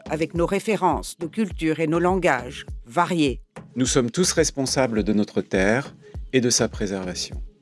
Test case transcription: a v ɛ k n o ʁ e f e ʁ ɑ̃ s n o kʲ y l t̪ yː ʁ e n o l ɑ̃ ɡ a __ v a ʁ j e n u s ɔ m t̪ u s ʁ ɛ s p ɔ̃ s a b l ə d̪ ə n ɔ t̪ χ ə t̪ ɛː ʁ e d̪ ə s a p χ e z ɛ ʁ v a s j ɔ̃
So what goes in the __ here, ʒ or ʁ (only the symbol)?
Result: ʒ